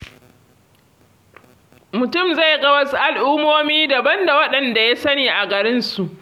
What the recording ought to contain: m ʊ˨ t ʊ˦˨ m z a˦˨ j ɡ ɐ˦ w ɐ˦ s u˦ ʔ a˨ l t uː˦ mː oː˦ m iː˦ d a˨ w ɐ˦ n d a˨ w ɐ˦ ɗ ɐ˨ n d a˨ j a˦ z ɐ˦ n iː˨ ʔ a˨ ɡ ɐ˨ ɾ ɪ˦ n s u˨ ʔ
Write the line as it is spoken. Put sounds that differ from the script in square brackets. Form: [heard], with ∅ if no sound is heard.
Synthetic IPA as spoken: m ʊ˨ t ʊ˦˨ m z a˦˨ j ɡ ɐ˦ w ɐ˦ s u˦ ʔ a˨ l [ʔ] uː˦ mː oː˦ m iː˦ d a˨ [b] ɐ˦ n d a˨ w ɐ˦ ɗ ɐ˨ n d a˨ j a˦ [s] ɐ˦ n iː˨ ʔ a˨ ɡ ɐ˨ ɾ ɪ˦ n s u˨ ʔ